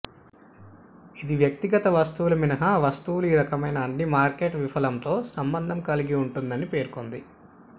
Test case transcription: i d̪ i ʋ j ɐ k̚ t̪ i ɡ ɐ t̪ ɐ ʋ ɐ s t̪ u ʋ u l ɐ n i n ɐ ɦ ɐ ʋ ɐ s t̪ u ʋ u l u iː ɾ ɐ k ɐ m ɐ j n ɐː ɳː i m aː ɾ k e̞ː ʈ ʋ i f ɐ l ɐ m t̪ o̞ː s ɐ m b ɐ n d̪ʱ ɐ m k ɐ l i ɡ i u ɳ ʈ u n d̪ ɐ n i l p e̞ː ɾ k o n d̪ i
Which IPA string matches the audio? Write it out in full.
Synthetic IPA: i d̪ i ʋ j ɐ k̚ t̪ i ɡ ɐ t̪ ɐ ʋ ɐ s t̪ u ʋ u l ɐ m i n ɐ ɦ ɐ ʋ ɐ s t̪ u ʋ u l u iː ɾ ɐ k ɐ m ɐ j n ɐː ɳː i m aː ɾ k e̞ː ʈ ʋ i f ɐ l ɐ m t̪ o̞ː s ɐ m b ɐ n d̪ʱ ɐ m k ɐ l i ɡ i u ɳ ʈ u n d̪ ɐ n i p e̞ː ɾ k o n d̪ i